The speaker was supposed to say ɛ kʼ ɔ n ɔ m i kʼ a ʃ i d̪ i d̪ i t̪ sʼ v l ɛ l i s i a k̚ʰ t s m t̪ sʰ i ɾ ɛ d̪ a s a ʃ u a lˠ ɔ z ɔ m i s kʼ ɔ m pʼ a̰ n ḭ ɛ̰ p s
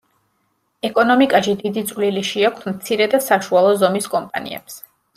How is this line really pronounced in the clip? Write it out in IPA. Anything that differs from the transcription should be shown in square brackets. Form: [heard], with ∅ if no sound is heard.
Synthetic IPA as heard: ɛ kʼ ɔ n ɔ m i kʼ a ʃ i d̪ i d̪ i t̪ sʼ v l [i] l i [ʃ] i a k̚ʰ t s m t̪ sʰ i ɾ ɛ d̪ a s a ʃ u a lˠ ɔ z ɔ m i s kʼ ɔ m pʼ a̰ n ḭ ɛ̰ p s